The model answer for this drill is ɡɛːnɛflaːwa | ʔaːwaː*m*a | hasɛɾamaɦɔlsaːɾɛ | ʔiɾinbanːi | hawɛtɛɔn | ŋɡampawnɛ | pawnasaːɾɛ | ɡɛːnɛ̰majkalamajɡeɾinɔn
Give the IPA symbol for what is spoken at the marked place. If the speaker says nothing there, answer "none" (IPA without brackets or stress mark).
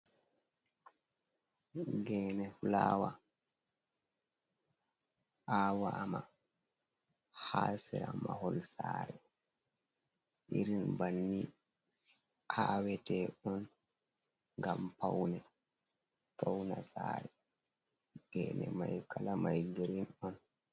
m